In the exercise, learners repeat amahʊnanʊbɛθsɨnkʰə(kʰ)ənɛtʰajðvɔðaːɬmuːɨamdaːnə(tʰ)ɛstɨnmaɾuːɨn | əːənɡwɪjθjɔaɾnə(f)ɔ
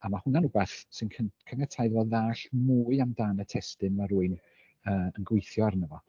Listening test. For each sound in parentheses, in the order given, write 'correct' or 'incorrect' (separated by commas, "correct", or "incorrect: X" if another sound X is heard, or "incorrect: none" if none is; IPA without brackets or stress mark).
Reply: correct, correct, incorrect: v